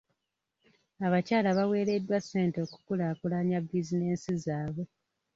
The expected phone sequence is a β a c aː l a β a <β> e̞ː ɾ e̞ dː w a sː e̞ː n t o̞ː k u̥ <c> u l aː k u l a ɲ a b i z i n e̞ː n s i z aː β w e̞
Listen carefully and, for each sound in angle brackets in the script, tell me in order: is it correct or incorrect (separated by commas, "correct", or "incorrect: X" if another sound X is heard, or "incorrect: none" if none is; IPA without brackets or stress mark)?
incorrect: w, incorrect: k